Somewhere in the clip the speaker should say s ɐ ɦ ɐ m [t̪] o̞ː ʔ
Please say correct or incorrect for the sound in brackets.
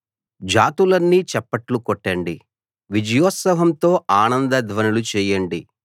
correct